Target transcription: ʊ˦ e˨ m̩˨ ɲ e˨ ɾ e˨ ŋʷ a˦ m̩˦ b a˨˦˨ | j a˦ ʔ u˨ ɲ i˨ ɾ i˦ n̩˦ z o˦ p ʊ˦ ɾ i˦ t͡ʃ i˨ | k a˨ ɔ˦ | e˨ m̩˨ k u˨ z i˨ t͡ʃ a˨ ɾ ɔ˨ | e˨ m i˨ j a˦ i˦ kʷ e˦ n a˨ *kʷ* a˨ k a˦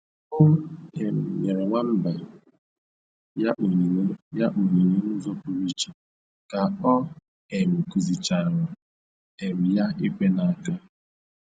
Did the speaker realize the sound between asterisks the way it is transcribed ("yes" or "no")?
no